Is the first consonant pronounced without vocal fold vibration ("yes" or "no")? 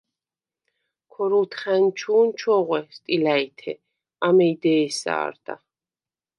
yes